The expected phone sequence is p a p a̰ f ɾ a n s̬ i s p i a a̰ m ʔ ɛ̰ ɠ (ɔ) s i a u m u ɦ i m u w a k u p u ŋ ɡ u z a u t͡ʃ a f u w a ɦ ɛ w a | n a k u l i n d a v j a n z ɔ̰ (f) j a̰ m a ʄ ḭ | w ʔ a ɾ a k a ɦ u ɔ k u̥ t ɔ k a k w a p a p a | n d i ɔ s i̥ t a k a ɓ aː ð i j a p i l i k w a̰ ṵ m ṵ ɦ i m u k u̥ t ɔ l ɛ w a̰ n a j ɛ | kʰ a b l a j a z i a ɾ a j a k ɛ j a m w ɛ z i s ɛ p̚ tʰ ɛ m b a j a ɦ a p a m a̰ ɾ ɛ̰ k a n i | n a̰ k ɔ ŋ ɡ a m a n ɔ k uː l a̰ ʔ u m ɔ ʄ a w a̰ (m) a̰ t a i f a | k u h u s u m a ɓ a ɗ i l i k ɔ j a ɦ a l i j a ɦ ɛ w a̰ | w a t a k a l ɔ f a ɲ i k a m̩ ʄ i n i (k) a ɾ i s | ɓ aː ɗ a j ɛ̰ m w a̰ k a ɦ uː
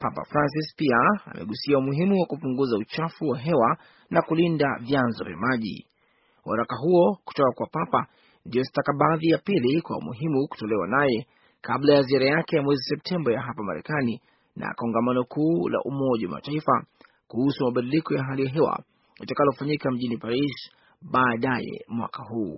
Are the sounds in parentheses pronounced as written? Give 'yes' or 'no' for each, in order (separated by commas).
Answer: no, no, yes, no